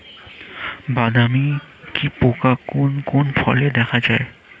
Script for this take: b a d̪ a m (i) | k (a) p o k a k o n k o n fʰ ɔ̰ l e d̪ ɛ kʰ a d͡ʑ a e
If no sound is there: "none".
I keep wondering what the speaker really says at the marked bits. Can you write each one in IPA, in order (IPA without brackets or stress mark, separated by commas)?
i, i